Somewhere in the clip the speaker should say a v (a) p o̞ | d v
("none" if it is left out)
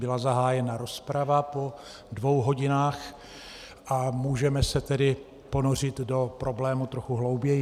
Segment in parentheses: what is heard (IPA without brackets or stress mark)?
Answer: a